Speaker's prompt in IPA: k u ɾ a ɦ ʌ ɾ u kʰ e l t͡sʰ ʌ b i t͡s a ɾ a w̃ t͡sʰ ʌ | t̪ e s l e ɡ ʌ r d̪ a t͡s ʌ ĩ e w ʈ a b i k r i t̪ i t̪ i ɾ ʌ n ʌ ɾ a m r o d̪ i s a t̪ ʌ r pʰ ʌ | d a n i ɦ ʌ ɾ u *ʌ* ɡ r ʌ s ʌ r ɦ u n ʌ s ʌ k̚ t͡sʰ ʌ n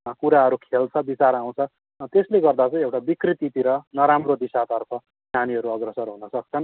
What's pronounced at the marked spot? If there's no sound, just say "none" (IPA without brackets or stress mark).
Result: ʌ